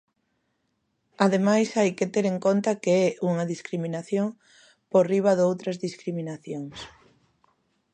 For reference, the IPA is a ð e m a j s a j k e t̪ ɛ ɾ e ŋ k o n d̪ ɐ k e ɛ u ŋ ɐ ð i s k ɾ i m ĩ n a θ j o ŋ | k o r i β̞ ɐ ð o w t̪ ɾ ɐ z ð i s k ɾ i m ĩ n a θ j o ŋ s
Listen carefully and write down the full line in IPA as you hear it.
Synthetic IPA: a ð e m a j s a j k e t̪ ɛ ɾ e ŋ k o n t̪ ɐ k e ɛ u ŋ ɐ ð i s k ɾ i m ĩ n a θ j o ŋ | p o r i β̞ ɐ ð o w t̪ ɾ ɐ z ð i s k ɾ i m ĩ n a θ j o ŋ s

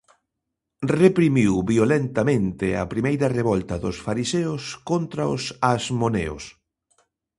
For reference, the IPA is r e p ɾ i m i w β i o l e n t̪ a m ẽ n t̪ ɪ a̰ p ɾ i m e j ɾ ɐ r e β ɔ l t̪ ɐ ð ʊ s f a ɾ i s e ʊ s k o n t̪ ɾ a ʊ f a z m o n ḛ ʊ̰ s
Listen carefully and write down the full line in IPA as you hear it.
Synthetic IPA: r e p ɾ i m i w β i o l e n t̪ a m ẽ n t̪ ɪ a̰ p ɾ i m e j ɾ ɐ r e β ɔ l t̪ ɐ ð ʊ s f a ɾ i s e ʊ s k o n t̪ ɾ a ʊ s a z m o n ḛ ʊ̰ s

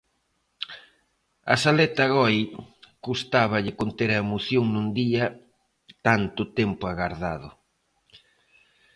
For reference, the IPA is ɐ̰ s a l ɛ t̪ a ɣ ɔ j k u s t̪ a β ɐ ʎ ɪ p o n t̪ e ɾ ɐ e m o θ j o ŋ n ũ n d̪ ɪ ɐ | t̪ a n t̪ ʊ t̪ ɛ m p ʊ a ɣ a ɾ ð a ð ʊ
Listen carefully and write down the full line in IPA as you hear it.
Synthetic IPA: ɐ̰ s a l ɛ t̪ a ɣ ɔ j k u s t̪ a β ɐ ʎ ɪ k o n t̪ e ɾ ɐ e m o θ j o ŋ n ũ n d̪ i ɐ | t̪ a n t̪ ʊ t̪ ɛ m p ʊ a ɣ a ɾ ð a ð ʊ

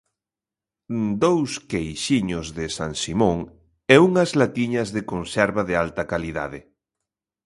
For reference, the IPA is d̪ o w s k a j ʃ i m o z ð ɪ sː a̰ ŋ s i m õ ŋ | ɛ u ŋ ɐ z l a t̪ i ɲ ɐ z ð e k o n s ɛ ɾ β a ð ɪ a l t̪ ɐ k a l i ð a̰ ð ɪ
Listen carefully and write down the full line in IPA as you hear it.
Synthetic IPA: d̪ o w s k e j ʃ i ɲ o z ð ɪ s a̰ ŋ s i m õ ŋ | ɛ u ŋ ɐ z l a t̪ i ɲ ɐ z ð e k o n s ɛ ɾ β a ð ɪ a l t̪ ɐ k a l i ð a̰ ð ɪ

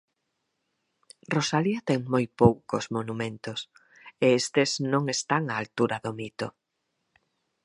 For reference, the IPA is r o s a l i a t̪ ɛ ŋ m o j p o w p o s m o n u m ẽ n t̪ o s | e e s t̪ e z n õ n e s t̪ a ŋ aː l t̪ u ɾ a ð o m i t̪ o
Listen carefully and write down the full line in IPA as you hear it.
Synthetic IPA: r o s a l i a t̪ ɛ ŋ m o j p o w k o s m o n u m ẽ n t̪ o s | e e s t̪ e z n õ ŋ e s t̪ a ŋ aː l t̪ u ɾ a ð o m i t̪ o

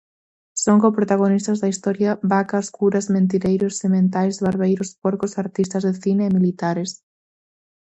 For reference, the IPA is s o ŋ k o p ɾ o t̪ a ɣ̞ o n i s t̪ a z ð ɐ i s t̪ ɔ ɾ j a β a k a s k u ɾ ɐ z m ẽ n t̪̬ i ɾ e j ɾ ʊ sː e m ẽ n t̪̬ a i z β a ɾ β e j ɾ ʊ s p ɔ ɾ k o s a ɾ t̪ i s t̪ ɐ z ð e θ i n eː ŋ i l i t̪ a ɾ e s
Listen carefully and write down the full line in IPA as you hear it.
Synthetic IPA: s o ŋ k o p ɾ o t̪ a ɣ̞ o n i s t̪ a z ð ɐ i s t̪ ɔ ɾ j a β a k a s k u ɾ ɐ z m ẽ n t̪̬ i ɾ e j ɾ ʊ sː e m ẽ n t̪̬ a j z β a ɾ β e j ɾ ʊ s p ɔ ɾ k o s a ɾ t̪ i s t̪ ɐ z ð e θ i n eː m i l i t̪ a ɾ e s

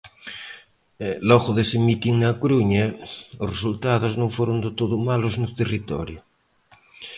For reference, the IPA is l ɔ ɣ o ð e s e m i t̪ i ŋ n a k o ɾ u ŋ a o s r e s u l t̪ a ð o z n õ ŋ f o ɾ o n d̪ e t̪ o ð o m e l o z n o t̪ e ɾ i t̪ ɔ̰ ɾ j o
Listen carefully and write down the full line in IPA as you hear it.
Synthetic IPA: l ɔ ɣ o ð e s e m i t̪ i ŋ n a k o ɾ u ɲ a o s r e s u l t̪ a ð o z n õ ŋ f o ɾ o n d̪ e t̪ o ð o m a l o z n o t̪ e r i t̪ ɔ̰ ɾ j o

